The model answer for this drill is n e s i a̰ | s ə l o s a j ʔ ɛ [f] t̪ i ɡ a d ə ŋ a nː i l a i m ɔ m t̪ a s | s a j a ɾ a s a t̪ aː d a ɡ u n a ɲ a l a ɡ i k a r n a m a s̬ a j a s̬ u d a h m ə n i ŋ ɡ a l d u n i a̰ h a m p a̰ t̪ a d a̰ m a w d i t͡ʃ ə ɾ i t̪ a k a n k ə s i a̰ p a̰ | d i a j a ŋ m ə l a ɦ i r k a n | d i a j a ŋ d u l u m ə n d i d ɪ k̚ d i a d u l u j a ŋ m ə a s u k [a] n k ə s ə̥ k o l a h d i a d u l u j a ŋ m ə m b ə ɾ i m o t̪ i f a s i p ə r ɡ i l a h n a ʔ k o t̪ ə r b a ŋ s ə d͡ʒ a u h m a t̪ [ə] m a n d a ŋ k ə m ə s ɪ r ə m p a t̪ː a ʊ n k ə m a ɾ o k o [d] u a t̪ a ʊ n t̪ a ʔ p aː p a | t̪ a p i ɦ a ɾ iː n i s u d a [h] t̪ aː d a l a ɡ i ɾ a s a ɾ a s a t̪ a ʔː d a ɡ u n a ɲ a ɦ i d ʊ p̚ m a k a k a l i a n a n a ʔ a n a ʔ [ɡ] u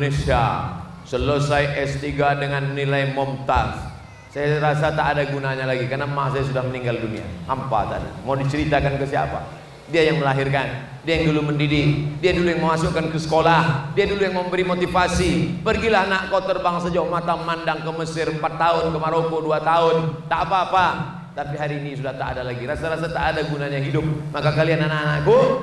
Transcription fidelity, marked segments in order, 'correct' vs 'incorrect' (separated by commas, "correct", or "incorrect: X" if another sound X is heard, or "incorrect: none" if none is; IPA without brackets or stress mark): incorrect: s, correct, incorrect: a, correct, correct, incorrect: k